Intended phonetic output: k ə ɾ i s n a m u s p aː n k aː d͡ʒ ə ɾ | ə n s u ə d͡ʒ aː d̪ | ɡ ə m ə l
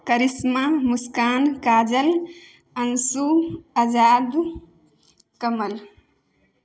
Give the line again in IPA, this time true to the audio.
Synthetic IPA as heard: k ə ɾ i s m a m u s k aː n k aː d͡ʒ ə l | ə n s u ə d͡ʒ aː d̪ | k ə m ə l